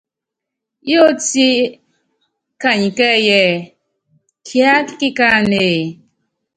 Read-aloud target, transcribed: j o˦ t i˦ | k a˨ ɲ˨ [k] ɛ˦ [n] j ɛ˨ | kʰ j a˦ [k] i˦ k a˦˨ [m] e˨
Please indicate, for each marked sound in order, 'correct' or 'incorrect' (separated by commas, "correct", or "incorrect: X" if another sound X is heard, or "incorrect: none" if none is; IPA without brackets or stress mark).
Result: correct, incorrect: none, correct, incorrect: n